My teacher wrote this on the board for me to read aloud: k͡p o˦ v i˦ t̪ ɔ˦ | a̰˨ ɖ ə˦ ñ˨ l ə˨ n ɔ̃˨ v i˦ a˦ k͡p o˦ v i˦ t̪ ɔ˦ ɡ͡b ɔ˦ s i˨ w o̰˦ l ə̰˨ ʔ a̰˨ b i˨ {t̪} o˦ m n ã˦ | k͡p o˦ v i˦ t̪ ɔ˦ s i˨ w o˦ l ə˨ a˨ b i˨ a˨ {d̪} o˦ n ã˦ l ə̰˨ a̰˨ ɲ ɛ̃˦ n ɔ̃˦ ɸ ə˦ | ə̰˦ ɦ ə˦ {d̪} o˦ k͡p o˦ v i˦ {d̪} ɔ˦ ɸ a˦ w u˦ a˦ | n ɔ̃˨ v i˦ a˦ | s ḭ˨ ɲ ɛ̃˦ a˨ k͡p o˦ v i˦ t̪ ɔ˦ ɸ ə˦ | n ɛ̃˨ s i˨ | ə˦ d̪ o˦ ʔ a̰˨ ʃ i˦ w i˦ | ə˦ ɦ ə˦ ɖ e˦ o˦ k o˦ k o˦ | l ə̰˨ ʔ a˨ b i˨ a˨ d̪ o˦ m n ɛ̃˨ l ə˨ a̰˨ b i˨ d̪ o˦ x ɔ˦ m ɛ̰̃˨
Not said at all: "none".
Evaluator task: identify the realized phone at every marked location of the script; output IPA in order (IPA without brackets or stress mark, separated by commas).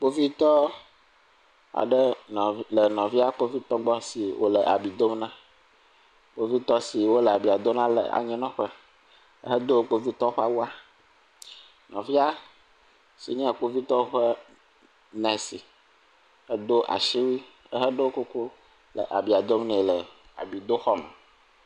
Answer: d̪, d̪, d̪, t̪